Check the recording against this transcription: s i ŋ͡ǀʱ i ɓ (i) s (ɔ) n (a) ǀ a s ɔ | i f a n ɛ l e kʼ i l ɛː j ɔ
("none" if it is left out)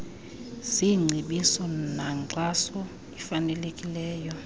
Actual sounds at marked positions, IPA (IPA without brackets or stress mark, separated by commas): i, ɔ, a